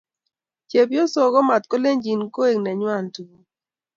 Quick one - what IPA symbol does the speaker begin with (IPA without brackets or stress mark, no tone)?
t͡ʃ